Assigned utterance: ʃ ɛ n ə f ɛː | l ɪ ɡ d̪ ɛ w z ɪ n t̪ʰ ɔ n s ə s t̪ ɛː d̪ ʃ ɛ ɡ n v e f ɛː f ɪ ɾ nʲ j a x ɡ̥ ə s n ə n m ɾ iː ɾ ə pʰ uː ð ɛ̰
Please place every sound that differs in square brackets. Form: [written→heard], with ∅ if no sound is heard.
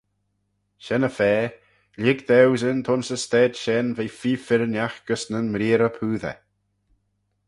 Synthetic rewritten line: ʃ ɛ n ə f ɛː | l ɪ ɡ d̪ ɛ w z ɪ n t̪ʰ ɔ n s ə s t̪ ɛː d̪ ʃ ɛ [ɡ→∅] n v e f [ɛː→iː] f ɪ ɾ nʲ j a x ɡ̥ ə s n ə n m ɾ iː ɾ ə pʰ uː ð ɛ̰